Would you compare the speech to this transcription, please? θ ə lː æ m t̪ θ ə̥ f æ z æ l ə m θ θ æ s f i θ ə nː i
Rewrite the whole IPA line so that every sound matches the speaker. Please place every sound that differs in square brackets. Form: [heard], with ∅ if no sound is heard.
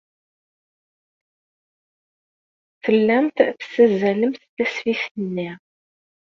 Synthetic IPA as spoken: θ ə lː æ m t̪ θ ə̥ [s] æ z æ l ə m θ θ æ s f i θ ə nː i